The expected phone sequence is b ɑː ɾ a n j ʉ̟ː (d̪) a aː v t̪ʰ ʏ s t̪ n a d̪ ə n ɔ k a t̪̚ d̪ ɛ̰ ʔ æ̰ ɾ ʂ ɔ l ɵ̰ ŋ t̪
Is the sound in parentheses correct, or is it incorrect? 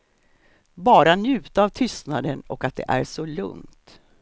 incorrect